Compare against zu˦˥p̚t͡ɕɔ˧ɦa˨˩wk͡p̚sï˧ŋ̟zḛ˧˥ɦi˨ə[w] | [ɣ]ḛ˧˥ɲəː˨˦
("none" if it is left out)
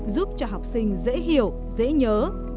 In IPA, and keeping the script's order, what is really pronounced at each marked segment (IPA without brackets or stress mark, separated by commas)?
w, z